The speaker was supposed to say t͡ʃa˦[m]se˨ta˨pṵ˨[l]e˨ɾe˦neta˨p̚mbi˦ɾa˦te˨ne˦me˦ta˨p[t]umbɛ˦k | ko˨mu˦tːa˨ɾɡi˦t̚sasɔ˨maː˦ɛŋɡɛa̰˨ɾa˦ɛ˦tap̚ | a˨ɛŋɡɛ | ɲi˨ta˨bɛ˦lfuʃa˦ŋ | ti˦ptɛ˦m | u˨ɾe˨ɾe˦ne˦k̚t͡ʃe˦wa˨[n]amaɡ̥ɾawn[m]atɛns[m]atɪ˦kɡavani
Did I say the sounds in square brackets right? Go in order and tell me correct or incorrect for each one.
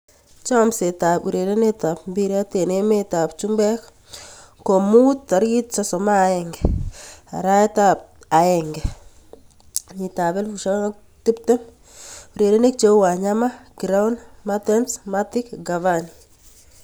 correct, incorrect: ɾ, incorrect: t͡ʃ, incorrect: ɲ, correct, correct

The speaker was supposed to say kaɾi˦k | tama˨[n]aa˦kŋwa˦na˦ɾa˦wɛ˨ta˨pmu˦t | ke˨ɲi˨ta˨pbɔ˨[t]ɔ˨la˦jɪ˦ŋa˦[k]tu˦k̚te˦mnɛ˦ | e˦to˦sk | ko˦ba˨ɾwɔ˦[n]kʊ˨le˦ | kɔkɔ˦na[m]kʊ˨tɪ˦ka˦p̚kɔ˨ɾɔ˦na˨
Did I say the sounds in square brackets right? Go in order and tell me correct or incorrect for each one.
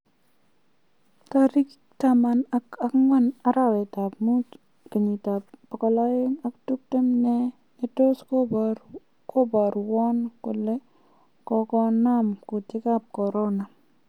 correct, incorrect: k, correct, correct, correct

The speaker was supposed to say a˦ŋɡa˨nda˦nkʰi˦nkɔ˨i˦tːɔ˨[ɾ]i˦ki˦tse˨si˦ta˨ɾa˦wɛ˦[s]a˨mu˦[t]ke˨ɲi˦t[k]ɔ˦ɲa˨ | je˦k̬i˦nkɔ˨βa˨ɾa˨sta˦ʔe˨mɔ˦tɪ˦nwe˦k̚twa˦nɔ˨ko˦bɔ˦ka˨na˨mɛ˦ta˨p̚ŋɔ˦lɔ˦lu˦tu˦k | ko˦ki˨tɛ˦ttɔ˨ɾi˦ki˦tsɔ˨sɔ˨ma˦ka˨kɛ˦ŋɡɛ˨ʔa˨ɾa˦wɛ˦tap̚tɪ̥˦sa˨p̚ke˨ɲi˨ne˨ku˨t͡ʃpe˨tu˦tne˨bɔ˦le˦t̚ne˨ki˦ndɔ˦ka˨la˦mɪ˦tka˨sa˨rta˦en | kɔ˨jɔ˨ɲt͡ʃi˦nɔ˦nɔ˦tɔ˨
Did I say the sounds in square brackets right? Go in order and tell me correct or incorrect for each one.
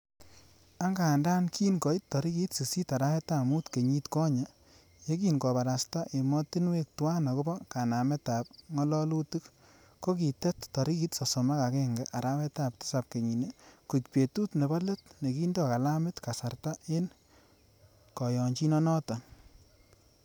correct, incorrect: t, correct, correct

